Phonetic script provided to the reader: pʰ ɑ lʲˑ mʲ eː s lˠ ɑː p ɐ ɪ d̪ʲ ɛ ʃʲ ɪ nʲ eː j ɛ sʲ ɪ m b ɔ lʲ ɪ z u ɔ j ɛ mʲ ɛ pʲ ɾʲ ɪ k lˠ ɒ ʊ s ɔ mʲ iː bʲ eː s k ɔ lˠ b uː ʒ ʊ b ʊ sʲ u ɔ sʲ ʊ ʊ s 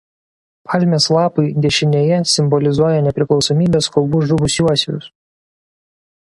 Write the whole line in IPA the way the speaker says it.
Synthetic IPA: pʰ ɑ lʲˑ mʲ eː s lˠ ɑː p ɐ ɪ d̪ʲ ɛ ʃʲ ɪ nʲ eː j ɛ sʲ ɪ m b ɔ lʲ ɪ z u ɔ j ɛ nʲ ɛ pʲ ɾʲ ɪ k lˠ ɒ ʊ s ɔ mʲ iː bʲ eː s k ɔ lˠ b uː ʒ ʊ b ʊ sʲ u ɔ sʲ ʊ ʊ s